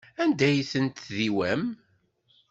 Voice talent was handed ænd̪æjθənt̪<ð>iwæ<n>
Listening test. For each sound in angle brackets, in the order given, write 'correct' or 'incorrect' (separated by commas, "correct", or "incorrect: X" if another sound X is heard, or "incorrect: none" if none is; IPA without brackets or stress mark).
correct, incorrect: m